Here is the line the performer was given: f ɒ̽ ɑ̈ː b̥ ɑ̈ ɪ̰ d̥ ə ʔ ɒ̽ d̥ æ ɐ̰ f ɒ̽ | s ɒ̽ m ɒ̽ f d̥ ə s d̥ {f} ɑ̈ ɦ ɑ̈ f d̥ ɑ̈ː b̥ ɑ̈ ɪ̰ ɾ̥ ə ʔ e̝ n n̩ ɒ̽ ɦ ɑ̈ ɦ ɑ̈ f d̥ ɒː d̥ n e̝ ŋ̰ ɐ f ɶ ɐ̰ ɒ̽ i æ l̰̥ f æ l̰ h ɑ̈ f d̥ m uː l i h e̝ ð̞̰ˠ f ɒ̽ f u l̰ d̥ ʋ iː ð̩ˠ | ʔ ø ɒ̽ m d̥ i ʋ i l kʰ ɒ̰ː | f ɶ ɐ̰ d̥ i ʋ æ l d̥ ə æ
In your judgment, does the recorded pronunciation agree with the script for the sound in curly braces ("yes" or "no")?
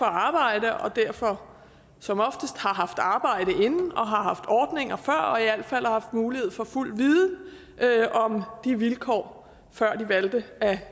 no